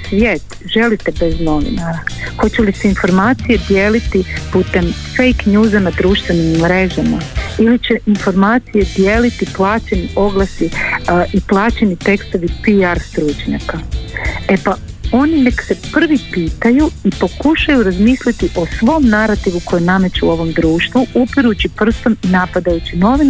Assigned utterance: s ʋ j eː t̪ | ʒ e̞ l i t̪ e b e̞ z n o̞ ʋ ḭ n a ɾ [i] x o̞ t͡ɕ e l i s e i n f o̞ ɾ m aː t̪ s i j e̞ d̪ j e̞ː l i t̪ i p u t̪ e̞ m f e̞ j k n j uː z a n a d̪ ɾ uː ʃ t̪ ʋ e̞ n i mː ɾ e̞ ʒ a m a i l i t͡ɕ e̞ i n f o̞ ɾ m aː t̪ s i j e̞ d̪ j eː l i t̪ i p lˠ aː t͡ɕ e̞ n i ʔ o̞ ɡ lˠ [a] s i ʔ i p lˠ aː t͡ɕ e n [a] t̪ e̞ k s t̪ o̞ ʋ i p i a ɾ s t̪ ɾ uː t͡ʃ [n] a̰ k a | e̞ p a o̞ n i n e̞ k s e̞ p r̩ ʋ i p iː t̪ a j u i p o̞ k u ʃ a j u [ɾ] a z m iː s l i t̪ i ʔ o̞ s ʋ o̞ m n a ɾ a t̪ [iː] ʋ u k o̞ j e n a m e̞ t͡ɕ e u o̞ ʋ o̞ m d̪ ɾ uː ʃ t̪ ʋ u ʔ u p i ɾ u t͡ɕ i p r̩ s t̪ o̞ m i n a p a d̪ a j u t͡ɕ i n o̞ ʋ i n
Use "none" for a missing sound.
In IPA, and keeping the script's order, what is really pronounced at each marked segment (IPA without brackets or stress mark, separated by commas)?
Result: a, a, i, ɲ, ɾ, i